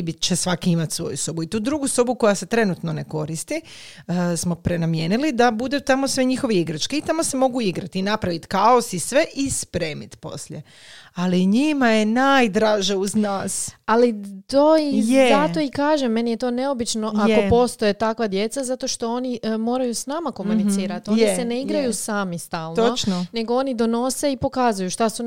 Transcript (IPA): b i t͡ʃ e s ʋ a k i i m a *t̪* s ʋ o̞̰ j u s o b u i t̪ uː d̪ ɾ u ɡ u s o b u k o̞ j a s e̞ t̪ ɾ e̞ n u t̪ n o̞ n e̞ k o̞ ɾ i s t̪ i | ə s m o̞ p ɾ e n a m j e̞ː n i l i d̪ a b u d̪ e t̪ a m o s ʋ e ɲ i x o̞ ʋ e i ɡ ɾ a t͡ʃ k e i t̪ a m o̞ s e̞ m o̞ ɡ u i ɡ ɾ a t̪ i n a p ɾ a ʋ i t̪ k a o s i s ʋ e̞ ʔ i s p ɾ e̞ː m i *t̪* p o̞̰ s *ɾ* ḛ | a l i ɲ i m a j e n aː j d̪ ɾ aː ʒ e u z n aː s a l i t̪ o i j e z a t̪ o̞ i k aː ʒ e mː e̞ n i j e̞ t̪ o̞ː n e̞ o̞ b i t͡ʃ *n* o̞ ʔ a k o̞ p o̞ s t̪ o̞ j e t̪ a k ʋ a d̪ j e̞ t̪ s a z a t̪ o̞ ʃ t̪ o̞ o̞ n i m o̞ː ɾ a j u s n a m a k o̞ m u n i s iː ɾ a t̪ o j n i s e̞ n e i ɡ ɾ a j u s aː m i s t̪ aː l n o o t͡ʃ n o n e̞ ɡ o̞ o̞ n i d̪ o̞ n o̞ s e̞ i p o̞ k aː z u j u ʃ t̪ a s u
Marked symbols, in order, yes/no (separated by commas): yes, yes, no, yes